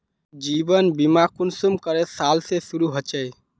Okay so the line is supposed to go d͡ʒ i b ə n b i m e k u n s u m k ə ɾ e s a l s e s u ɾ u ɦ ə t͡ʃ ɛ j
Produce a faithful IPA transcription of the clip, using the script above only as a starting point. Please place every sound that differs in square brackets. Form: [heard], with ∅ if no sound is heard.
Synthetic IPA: d͡ʒ i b ə n b i m [a] k u n s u m k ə ɾ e s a l s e s u ɾ u ɦ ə t͡ʃ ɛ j